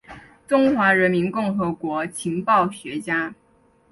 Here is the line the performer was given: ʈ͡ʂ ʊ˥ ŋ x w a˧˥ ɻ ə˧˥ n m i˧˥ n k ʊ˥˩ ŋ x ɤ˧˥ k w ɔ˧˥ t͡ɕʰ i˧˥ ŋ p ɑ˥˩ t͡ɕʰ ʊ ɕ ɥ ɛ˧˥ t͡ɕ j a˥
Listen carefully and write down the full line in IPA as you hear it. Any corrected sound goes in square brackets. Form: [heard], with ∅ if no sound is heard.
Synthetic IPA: ʈ͡ʂ ʊ˥ ŋ x w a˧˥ ɻ ə˧˥ n m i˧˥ n k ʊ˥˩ ŋ x ɤ˧˥ k w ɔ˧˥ t͡ɕʰ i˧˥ ŋ p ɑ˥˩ [∅] ʊ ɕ ɥ ɛ˧˥ t͡ɕ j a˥

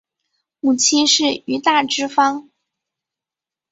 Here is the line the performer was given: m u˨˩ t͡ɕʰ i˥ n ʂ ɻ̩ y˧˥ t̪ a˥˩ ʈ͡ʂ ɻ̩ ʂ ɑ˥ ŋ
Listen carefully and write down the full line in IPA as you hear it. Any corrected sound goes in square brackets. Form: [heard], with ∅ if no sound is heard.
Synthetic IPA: m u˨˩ t͡ɕʰ i˥ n ʂ ɻ̩ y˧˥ t̪ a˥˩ ʈ͡ʂ ɻ̩ [f] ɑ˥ ŋ

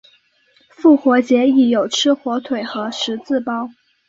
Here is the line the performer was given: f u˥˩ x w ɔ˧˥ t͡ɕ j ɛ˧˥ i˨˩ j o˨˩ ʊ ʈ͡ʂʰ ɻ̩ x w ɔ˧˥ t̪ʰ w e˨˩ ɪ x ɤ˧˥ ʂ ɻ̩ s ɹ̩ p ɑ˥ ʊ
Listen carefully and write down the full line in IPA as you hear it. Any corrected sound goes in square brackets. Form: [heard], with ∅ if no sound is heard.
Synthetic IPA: f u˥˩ x w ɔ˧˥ t͡ɕ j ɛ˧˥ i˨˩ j o˨˩ ʊ ʈ͡ʂʰ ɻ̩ x w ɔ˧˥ t̪ʰ w e˨˩ ɪ x ɤ˧˥ ʂ ɻ̩ [t͡s] ɹ̩ p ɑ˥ ʊ

